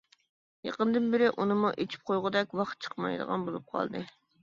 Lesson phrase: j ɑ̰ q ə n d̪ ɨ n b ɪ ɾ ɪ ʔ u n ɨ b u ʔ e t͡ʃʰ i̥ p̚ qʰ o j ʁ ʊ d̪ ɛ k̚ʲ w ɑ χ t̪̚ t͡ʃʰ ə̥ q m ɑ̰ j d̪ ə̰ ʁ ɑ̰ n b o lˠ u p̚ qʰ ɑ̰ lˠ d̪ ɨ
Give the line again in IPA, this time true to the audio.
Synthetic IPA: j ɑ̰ q ə n d̪ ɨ n b ɪ ɾ ɪ ʔ u n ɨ m u ʔ e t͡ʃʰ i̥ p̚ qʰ o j ʁ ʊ d̪ ɛ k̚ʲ w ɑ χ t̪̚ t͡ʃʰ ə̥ q m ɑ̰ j d̪ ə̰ ʁ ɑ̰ n b o lˠ u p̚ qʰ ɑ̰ lˠ d̪ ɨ